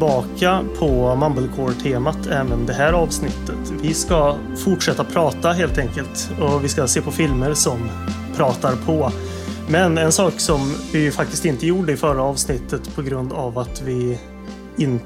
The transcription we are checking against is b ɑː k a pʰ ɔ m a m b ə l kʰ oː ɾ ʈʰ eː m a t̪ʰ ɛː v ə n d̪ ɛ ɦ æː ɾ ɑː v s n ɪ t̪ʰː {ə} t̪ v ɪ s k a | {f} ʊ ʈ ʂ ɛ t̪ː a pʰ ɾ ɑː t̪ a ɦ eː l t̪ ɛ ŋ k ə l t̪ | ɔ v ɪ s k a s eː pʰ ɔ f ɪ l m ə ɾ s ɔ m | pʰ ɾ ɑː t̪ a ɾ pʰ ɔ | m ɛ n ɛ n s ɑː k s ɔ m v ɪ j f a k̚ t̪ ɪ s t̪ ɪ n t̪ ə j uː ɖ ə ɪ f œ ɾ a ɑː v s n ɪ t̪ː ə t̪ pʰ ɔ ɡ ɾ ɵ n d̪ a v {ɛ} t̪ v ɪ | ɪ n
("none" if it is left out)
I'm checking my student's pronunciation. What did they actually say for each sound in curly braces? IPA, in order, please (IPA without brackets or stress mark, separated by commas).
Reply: ə, f, a